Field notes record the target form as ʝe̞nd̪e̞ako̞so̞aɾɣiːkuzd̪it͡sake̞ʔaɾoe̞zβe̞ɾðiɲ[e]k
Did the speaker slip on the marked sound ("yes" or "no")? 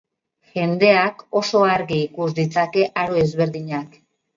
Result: yes